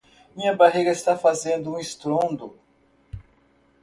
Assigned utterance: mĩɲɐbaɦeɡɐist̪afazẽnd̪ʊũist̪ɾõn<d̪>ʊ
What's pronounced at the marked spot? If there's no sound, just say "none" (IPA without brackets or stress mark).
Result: d̪